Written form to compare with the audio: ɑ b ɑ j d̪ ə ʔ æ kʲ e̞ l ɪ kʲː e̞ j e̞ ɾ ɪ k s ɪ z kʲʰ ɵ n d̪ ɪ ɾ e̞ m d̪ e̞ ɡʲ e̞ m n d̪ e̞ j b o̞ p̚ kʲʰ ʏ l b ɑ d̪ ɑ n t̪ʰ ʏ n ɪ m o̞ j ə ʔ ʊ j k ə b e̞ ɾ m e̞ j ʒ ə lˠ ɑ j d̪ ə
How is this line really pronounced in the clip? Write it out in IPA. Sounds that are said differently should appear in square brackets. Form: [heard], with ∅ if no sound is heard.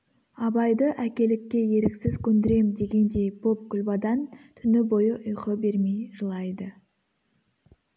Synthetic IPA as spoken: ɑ b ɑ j d̪ ə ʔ æ kʲ e̞ l ɪ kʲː e̞ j e̞ ɾ ɪ k s ɪ z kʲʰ ɵ n d̪ ɪ ɾ e̞ m d̪ e̞ ɡʲ e̞ [∅] n d̪ e̞ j b o̞ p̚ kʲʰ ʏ l b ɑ d̪ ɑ n t̪ʰ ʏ n ɪ [b] o̞ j ə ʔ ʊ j [q] ə b e̞ ɾ m e̞ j ʒ ə lˠ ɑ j d̪ ə